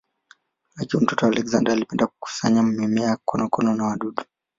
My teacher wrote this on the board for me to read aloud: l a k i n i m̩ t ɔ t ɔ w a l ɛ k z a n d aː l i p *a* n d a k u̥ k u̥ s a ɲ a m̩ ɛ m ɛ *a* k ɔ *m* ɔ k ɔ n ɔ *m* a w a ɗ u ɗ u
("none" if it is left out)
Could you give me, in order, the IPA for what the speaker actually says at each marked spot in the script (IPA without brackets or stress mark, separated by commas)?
ɛ, a, n, n